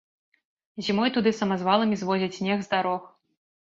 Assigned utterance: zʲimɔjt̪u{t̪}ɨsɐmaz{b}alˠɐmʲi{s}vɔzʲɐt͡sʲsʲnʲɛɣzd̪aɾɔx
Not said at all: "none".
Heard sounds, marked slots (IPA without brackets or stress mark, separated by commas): d̪, v, z